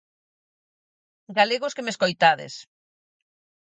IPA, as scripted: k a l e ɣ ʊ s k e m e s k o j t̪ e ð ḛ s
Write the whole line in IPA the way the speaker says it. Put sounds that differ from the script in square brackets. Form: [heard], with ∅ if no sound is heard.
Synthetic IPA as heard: [ɡ] a l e ɣ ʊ s k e m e s k o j t̪ [a] ð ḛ s